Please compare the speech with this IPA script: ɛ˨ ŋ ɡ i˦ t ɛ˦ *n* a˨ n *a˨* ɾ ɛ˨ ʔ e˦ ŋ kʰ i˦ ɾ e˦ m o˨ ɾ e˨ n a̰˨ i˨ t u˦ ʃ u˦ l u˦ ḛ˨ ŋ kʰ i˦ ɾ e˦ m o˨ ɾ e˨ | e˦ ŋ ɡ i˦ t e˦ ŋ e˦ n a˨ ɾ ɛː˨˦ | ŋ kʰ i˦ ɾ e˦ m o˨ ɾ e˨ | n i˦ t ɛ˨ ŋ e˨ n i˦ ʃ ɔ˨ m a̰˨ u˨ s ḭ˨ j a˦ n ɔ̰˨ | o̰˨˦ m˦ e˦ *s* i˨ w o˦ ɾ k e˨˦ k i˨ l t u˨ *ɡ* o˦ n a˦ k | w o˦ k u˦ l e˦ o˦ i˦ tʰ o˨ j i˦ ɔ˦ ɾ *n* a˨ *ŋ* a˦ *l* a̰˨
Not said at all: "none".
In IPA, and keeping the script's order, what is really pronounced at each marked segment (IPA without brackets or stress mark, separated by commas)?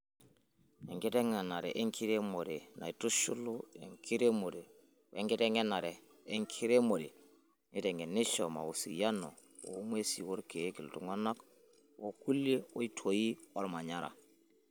ŋ, a˨, s, ŋ, m, ɲ, ɾ